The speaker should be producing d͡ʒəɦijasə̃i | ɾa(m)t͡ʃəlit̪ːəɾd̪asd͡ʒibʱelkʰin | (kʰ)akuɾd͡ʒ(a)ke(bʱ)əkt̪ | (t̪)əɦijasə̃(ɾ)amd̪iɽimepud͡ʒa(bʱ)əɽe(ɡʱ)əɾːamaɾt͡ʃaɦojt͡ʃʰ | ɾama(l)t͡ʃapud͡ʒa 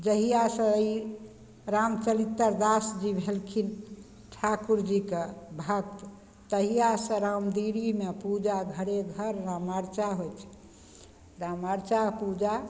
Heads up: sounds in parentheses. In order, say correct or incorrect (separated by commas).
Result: correct, incorrect, incorrect, correct, correct, correct, incorrect, correct, incorrect